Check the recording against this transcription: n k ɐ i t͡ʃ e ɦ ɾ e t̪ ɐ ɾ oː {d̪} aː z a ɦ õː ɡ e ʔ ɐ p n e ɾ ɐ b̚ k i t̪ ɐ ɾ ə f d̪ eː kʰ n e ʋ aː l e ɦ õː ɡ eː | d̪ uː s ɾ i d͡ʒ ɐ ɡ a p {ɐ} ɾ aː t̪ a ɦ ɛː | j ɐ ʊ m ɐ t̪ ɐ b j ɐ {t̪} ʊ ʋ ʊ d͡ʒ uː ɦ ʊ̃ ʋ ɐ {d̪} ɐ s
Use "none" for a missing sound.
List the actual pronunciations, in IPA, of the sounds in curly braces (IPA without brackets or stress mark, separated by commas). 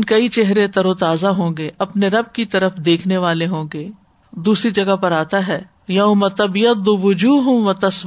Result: t̪, ɐ, d̪, t̪